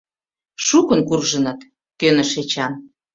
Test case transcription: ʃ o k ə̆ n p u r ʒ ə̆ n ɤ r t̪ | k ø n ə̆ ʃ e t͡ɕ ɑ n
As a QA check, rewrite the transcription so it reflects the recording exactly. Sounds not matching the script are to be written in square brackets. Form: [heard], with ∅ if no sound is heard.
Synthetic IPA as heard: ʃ [u] k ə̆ n [k] u r ʒ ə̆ n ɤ [∅] t̪ | k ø n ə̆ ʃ e t͡ɕ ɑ n